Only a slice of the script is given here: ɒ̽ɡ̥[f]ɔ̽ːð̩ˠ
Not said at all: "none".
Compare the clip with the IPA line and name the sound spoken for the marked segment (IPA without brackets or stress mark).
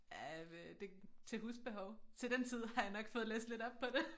f